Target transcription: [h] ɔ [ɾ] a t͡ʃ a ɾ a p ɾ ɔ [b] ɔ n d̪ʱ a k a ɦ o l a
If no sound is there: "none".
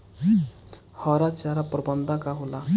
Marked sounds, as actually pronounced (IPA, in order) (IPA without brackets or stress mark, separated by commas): h, ɾ, b